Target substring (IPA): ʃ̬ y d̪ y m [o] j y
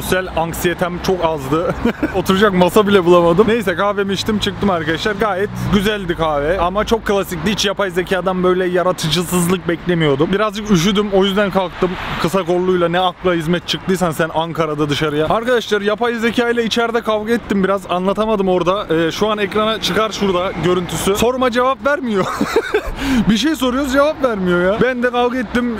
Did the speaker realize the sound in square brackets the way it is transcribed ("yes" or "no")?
yes